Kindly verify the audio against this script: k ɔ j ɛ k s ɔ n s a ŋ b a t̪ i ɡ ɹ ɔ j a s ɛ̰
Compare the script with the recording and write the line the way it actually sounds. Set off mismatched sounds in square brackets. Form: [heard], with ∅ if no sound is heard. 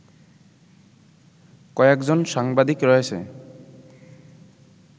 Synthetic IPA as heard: k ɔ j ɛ k [z] ɔ n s a ŋ b a [d̪] i [k] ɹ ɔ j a s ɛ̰